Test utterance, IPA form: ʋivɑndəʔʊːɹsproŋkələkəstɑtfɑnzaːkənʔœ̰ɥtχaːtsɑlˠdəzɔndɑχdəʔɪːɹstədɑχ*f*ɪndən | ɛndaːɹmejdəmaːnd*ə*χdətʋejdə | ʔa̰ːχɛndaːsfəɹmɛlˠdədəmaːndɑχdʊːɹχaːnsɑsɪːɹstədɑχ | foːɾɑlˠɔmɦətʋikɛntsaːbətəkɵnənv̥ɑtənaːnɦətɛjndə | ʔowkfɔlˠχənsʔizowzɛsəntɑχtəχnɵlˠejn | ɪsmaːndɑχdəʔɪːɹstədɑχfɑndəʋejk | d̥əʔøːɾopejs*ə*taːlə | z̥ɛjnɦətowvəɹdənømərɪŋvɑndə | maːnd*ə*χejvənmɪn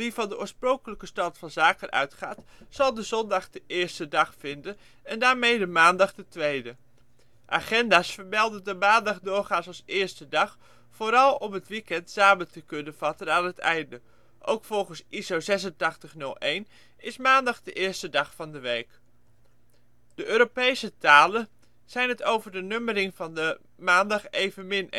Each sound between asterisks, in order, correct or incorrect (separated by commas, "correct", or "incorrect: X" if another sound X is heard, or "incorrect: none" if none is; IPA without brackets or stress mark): correct, incorrect: ɑ, correct, incorrect: ɑ